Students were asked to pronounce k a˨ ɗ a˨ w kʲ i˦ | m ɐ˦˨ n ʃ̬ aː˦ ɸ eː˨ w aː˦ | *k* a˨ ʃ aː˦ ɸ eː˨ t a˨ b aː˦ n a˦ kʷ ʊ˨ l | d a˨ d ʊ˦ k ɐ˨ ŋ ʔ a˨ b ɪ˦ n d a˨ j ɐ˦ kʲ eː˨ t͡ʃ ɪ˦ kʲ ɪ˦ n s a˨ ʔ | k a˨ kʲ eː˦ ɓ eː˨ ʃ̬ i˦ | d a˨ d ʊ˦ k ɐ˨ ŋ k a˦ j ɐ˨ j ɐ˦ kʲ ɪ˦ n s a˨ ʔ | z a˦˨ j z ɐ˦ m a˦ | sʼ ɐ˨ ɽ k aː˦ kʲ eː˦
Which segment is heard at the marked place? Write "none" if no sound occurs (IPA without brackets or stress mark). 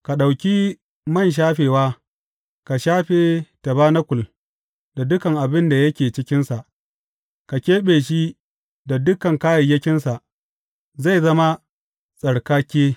k